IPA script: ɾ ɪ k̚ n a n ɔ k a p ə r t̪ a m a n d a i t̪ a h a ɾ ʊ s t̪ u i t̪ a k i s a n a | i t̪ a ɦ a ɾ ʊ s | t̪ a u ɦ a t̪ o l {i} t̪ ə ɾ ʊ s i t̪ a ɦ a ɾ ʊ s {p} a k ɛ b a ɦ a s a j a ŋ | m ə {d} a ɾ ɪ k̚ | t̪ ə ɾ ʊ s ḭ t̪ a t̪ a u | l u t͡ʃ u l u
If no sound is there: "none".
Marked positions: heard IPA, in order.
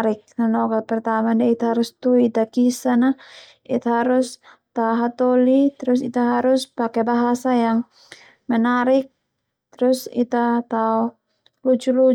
i, p, n

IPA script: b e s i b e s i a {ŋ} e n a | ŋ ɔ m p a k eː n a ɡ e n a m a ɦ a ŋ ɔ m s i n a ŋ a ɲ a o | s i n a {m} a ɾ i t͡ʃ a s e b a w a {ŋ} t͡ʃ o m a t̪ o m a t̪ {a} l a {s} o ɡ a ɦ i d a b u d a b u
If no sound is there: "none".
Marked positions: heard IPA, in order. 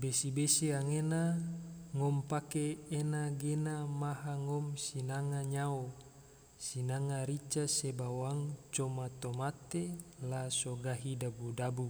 ŋ, ŋ, ŋ, e, s

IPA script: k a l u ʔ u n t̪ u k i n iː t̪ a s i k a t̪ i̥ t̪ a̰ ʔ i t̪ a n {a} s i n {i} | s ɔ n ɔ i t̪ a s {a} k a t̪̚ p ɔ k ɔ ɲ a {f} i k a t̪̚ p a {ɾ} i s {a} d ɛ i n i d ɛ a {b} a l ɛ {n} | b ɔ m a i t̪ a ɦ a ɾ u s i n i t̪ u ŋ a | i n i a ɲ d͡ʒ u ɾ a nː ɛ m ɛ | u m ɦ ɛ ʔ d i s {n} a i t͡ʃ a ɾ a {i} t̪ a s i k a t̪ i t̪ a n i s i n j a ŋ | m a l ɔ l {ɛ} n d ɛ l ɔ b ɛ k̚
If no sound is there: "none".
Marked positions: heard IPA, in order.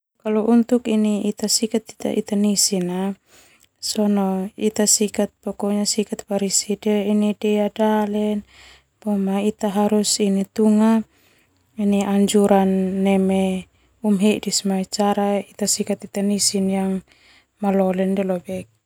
i, a, i, s, ɾ, i, d, n, m, i, ɛ

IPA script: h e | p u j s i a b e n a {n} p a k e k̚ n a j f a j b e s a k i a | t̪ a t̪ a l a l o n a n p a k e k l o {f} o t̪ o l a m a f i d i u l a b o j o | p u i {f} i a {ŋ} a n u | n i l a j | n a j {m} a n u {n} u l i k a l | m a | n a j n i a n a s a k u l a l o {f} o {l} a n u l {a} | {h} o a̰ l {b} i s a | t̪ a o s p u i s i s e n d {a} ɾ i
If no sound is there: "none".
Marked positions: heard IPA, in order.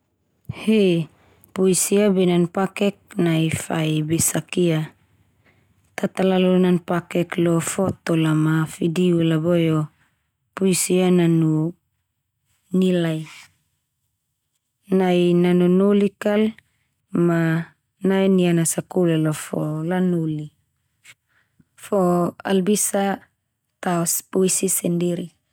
n, f, s, n, n, n, f, l, i, f, b, i

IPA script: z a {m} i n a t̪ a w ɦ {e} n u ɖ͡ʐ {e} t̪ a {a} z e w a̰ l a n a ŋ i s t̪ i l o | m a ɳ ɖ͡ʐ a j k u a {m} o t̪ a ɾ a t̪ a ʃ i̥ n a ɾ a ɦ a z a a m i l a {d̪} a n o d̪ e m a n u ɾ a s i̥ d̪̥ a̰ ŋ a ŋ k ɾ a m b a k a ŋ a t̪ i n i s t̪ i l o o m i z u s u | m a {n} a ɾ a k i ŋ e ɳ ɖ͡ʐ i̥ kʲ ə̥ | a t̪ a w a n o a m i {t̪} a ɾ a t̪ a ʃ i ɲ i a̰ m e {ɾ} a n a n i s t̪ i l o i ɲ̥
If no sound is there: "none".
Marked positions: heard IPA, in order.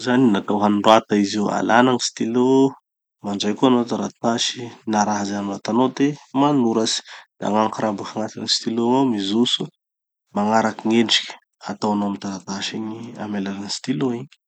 n, a, a, i, n, t̪, ŋ, t̪, l

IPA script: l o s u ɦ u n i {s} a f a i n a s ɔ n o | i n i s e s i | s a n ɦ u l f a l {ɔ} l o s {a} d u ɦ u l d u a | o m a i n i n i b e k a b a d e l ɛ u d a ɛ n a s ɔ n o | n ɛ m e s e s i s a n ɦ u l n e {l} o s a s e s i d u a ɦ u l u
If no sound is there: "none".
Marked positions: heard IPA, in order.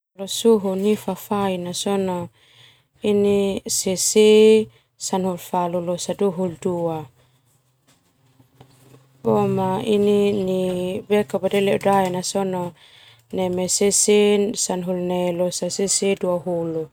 f, u, a, l

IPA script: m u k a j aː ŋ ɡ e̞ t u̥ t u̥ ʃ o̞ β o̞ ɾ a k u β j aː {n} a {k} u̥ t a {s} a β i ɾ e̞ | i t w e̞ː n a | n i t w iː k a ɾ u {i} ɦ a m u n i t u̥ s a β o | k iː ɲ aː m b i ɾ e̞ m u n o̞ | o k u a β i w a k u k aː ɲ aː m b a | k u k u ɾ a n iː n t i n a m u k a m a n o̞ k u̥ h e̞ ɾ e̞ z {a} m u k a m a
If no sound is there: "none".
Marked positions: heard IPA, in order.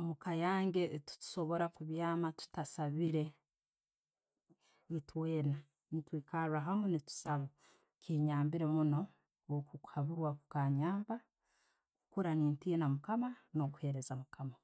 m, t, s, a, a

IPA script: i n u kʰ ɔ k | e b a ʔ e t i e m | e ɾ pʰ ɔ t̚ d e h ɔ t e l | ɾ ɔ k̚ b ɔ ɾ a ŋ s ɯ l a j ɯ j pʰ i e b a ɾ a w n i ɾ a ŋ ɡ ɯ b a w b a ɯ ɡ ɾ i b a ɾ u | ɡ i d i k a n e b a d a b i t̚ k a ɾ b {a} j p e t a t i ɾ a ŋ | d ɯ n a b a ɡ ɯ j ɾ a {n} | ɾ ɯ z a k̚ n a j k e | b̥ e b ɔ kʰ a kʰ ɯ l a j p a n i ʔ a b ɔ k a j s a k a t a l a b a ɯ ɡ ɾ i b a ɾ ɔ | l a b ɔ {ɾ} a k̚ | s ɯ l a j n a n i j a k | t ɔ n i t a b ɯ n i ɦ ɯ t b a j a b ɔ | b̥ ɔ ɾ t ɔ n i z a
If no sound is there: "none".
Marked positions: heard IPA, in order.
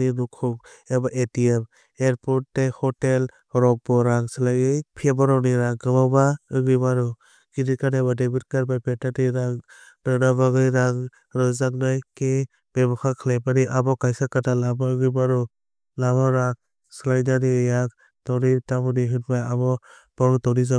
a, ŋ, ɾ

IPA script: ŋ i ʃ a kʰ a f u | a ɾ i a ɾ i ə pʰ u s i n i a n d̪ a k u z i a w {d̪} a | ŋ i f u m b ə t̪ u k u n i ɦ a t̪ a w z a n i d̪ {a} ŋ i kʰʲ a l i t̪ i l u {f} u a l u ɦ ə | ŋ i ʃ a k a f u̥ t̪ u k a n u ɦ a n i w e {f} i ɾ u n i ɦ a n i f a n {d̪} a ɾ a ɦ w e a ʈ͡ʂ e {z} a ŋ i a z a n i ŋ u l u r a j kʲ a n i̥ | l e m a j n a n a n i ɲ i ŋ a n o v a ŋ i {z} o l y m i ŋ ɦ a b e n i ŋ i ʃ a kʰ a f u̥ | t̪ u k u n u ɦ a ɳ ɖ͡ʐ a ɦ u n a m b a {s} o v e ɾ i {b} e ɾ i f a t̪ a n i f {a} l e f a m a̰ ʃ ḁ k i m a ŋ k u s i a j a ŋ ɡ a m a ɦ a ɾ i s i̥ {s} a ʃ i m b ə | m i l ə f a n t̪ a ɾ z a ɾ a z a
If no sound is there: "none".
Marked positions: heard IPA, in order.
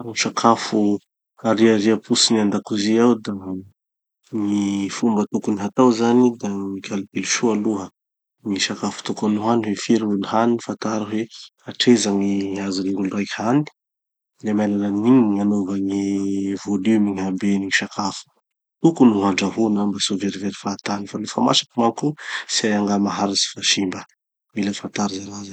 d̪, a, ʃ, f, t̪, z, v, s, v, a, f

